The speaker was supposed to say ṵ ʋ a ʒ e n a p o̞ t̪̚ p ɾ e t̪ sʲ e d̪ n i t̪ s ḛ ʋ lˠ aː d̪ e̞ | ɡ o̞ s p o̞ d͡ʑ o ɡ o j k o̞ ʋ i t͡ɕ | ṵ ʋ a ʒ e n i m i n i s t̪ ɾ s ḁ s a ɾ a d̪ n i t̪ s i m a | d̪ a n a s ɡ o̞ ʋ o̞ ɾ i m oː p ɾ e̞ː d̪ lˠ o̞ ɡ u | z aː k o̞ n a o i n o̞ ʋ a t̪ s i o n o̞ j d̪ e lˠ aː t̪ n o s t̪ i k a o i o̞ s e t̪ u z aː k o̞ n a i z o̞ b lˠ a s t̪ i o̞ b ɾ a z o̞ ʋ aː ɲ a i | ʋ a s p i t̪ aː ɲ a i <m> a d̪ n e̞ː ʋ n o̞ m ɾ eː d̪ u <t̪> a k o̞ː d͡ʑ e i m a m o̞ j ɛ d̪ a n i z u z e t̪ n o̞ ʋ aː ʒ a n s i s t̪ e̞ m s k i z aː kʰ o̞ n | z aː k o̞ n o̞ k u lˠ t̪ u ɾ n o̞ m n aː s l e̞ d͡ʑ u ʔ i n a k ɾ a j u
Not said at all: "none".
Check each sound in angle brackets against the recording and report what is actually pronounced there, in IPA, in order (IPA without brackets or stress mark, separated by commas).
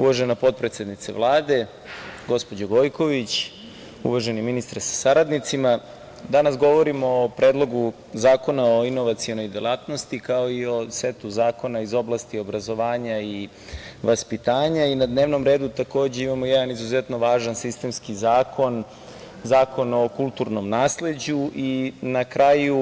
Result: n, t̪